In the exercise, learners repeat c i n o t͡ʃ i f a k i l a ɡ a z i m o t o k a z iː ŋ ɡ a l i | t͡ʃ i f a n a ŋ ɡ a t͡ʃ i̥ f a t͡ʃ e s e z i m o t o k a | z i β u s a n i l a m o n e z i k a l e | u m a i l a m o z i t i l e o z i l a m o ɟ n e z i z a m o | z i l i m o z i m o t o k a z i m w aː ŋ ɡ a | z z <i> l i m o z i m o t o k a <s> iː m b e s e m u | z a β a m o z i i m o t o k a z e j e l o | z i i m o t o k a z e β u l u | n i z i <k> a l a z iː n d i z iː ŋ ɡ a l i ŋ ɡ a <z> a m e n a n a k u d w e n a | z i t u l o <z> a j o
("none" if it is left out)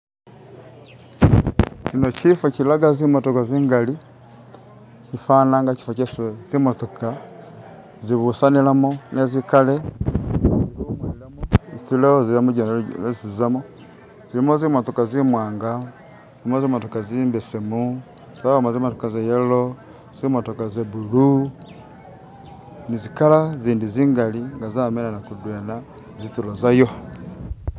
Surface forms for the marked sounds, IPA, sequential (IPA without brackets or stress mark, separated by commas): i, z, k, z, z